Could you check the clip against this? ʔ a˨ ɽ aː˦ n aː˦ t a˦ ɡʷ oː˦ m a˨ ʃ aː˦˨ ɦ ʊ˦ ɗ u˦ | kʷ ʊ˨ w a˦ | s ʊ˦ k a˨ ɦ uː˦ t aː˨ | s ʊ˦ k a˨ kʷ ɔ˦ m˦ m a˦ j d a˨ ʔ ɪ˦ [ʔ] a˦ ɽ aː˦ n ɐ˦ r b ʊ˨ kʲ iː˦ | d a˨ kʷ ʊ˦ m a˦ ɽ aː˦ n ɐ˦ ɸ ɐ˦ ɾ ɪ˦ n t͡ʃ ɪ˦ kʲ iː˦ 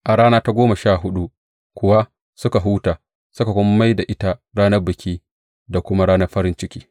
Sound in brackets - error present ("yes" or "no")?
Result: yes